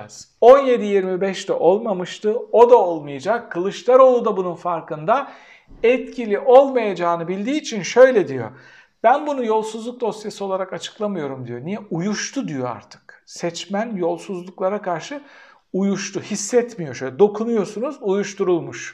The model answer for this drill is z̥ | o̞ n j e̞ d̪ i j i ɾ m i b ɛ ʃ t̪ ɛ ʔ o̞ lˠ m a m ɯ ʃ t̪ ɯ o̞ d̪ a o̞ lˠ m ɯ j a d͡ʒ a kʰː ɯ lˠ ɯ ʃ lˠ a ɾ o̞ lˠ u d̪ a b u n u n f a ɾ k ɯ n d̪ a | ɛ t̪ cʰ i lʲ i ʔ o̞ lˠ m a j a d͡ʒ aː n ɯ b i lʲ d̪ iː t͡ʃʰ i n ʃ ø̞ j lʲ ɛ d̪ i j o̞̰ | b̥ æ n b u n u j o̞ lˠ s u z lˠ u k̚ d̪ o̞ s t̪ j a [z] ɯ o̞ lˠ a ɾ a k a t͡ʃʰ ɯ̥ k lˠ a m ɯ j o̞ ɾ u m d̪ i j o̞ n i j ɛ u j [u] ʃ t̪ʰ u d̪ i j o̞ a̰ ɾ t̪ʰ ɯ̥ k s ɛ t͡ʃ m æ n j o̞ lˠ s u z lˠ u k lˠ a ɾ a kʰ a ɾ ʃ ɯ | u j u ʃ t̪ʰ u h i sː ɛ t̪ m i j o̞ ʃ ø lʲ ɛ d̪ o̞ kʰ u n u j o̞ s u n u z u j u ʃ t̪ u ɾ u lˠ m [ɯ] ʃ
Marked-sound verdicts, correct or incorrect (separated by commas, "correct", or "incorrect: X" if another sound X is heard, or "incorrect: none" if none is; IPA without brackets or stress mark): incorrect: s, correct, incorrect: u